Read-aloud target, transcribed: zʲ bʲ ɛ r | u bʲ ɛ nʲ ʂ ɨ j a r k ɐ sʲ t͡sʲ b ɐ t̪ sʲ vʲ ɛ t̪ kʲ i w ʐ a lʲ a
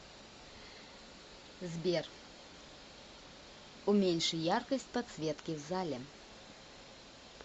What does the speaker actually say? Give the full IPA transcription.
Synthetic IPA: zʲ bʲ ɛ r | u mʲ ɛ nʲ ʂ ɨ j a r k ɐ sʲ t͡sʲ p ɐ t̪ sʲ vʲ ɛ t̪ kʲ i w z a lʲ ɛ

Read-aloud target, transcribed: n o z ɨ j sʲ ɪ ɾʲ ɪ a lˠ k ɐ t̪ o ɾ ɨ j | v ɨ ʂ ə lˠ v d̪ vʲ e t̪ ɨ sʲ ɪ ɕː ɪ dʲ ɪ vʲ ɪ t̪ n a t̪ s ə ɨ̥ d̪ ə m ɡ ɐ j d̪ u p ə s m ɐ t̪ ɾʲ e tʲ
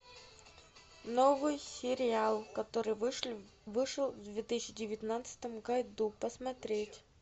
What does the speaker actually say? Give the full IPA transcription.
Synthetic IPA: n o v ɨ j sʲ ɪ ɾʲ ɪ a lˠ k ɐ t̪ o ɾ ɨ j | v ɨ ʂ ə lˠ v d̪ vʲ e t̪ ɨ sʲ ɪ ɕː ɪ dʲ ɪ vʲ ɪ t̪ n a t̪ s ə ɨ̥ t̪ ə m ɡ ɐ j d̪ u p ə s m ɐ t̪ ɾʲ e tʲ

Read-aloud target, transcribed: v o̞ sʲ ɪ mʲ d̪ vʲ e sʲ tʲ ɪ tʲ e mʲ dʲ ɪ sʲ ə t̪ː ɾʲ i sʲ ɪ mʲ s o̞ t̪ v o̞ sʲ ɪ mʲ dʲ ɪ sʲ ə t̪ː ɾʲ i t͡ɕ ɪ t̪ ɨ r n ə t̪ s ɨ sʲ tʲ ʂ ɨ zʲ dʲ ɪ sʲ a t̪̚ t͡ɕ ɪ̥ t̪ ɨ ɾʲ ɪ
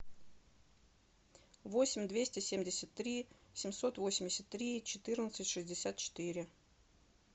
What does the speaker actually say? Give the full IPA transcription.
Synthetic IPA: v o̞ sʲ ɪ mʲ d̪ vʲ e sʲ tʲ ɪ sʲ e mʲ dʲ ɪ sʲ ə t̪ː ɾʲ i sʲ ɪ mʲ s o̞ t̪ v o̞ sʲ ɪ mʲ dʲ ɪ sʲ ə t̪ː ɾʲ i t͡ɕ ɪ t̪ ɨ r n ə t̪ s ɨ tʲ ʂ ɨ zʲ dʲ ɪ sʲ a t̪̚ t͡ɕ ɪ̥ t̪ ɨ ɾʲ ɪ

